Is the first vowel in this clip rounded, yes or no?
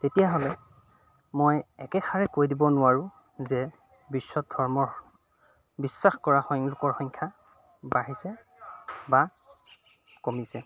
no